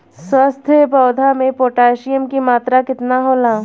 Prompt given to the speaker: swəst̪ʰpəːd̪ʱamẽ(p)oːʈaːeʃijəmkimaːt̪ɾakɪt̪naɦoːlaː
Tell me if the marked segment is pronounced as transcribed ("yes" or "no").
yes